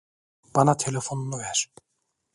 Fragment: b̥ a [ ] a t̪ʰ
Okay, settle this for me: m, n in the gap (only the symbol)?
n